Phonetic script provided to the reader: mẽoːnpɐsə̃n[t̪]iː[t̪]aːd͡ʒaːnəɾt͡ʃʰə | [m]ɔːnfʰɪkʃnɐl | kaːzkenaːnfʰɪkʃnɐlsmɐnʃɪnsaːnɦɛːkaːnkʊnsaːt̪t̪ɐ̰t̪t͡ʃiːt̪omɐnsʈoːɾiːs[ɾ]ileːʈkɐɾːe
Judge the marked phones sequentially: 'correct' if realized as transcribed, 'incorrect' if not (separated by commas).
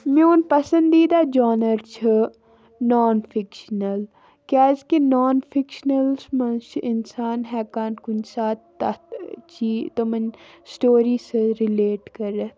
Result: incorrect, incorrect, incorrect, correct